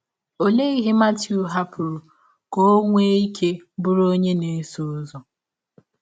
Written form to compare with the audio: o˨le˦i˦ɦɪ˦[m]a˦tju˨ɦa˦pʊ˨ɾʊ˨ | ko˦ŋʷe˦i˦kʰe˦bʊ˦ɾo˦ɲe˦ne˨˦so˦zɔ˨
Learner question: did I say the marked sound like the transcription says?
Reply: yes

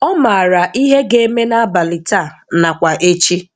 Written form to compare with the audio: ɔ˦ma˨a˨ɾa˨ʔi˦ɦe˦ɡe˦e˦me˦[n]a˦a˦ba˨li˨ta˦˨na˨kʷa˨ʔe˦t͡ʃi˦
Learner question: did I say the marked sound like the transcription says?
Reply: yes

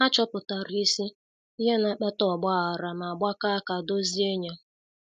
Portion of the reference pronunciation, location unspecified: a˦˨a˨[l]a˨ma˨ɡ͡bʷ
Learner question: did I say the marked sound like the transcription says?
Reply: no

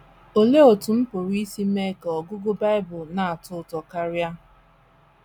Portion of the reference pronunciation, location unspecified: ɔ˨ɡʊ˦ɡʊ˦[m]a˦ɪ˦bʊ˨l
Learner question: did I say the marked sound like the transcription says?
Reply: no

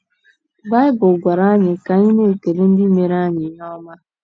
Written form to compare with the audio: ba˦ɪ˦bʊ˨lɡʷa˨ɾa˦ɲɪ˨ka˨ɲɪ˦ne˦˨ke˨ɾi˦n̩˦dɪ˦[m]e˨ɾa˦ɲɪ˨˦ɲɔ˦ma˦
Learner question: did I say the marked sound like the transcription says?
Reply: yes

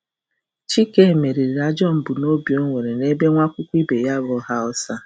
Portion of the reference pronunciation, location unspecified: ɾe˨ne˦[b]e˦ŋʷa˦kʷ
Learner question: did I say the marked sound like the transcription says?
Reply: yes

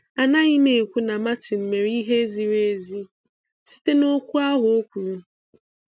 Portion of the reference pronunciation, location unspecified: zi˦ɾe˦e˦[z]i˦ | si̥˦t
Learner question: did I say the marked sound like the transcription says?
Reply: yes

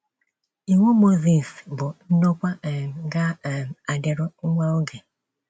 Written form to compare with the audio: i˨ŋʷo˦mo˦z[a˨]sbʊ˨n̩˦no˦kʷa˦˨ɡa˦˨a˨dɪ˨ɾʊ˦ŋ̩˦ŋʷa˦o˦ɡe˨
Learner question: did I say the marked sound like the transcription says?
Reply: no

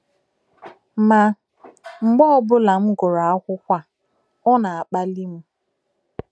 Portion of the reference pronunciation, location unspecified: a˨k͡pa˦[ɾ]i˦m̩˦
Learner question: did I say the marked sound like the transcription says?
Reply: no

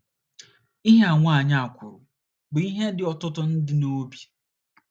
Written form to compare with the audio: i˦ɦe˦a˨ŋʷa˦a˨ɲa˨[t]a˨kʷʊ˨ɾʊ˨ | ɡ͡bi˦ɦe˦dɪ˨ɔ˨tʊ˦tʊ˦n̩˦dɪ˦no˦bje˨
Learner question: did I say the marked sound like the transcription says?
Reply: no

